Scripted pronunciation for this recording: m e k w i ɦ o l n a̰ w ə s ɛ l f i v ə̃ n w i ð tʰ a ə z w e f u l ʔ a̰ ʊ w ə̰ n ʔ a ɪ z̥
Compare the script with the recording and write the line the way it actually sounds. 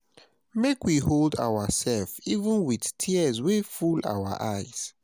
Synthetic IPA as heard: m e k w i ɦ o l d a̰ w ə s ɛ l f i v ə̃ n w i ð tʰ i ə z w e f u l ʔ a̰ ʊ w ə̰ ʔ a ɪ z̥